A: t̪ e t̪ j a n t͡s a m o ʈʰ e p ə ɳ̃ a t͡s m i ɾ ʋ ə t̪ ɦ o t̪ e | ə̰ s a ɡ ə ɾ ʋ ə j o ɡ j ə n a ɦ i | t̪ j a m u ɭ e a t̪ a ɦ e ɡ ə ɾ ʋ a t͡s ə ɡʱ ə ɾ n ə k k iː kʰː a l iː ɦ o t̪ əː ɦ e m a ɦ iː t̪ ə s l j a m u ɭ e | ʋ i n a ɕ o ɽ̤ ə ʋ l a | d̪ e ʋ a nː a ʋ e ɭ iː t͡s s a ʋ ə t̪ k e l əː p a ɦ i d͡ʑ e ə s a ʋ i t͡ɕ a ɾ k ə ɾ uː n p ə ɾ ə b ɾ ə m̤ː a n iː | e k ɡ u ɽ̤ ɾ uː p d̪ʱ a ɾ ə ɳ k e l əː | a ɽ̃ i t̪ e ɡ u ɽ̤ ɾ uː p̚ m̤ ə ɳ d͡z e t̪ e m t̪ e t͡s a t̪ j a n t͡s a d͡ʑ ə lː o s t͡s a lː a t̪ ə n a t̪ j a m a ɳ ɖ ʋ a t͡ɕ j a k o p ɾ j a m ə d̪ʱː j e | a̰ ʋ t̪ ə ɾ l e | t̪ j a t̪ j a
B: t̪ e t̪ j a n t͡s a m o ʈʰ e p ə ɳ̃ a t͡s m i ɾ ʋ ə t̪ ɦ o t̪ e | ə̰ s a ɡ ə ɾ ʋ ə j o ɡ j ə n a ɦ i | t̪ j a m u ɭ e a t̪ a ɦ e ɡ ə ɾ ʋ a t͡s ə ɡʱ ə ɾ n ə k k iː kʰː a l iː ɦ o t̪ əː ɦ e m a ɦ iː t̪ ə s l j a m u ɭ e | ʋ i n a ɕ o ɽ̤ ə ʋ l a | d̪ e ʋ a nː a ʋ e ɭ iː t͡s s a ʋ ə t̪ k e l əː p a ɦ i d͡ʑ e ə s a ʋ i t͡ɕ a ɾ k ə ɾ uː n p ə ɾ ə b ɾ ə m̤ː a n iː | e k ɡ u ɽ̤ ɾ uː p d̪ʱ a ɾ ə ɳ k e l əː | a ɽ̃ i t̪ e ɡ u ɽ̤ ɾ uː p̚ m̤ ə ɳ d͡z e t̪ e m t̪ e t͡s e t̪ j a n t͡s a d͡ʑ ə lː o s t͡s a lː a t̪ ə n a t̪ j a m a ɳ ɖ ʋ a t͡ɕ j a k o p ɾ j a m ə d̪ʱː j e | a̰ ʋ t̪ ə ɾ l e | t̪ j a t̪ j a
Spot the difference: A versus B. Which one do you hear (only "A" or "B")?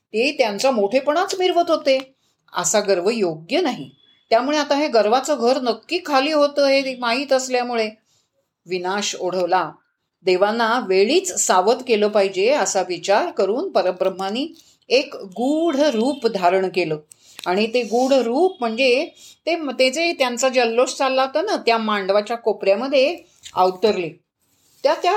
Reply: B